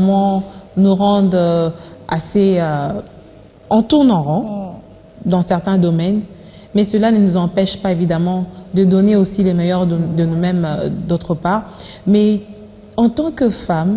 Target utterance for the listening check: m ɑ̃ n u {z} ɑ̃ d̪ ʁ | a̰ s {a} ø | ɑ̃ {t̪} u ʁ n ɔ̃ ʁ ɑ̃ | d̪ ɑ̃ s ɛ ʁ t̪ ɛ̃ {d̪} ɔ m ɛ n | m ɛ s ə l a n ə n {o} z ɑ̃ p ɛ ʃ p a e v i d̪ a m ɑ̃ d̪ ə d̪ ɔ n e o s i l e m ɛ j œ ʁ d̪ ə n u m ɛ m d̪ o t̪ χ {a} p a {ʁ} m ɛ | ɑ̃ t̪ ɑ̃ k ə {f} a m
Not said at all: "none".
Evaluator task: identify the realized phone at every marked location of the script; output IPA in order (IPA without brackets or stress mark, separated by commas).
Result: ʁ, e, t̪, d̪, u, ə, ʁ, f